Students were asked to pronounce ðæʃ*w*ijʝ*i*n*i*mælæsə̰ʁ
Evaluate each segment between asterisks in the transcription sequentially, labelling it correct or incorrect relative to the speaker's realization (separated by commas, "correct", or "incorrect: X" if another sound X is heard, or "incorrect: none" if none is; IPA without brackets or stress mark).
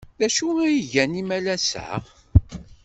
incorrect: u, incorrect: æ, correct